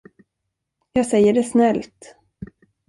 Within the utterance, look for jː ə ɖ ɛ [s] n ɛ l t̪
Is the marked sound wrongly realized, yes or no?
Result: no